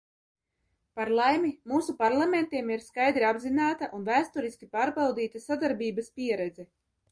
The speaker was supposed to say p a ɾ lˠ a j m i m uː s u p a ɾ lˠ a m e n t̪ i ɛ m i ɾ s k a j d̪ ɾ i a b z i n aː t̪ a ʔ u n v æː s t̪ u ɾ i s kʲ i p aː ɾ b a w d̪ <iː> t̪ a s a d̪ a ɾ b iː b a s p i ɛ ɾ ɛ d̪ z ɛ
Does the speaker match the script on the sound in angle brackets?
yes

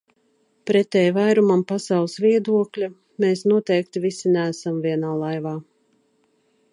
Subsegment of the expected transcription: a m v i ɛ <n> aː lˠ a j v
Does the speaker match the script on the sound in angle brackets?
yes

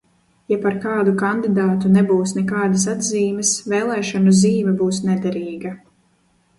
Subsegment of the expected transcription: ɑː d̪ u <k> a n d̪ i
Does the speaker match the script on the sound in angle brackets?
yes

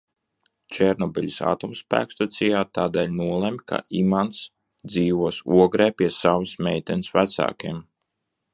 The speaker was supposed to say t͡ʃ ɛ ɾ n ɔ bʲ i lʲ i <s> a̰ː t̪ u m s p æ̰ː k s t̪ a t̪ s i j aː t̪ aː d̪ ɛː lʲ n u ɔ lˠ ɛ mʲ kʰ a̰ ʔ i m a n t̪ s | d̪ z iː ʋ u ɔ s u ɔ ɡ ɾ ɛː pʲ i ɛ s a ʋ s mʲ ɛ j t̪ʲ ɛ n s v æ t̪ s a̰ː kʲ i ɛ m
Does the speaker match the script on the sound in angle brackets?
yes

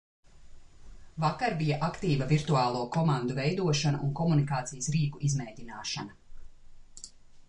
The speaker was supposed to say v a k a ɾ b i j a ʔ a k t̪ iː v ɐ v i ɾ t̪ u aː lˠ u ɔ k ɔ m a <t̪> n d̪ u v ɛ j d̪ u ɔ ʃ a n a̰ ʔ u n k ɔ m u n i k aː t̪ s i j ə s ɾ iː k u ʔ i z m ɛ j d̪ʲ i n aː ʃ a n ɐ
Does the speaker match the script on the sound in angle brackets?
no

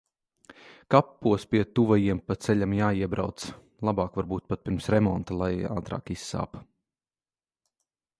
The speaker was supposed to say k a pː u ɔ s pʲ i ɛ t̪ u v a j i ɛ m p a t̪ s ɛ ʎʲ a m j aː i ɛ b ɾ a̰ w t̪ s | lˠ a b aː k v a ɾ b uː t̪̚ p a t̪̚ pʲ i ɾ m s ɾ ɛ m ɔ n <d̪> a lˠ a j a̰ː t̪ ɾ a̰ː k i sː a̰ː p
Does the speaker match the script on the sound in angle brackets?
no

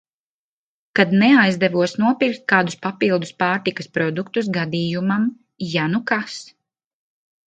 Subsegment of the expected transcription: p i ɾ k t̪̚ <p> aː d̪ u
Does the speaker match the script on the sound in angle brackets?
no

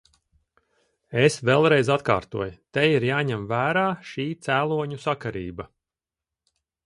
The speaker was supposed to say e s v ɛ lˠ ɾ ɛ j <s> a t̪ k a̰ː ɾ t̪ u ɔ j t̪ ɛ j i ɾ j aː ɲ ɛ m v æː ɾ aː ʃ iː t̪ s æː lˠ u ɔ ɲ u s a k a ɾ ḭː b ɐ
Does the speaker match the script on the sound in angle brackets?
no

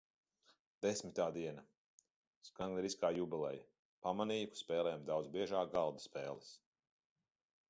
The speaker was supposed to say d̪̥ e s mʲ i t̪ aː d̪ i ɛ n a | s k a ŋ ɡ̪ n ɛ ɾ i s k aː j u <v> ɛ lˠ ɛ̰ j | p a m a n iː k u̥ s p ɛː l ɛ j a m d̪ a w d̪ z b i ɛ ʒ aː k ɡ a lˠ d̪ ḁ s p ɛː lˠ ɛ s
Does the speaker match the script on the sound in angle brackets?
no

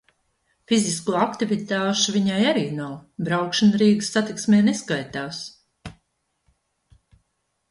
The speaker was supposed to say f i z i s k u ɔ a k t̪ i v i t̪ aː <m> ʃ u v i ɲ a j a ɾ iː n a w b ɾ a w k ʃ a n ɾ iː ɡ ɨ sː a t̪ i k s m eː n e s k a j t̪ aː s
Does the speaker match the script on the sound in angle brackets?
no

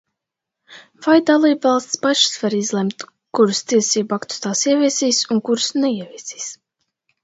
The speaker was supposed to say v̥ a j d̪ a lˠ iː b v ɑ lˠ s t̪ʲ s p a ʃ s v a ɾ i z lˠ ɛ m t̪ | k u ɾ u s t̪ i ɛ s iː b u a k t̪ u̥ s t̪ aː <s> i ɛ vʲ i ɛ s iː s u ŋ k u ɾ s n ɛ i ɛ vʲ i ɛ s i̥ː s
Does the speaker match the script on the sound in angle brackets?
yes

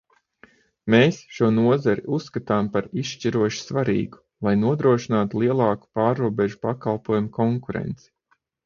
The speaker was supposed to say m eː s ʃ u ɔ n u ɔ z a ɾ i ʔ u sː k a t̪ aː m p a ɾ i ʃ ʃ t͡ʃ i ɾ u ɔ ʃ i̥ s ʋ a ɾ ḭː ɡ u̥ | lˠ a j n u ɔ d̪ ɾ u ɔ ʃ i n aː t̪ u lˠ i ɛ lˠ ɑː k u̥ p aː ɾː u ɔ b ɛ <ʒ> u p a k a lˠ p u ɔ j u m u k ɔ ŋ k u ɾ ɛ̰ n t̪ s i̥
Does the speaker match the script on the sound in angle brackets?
yes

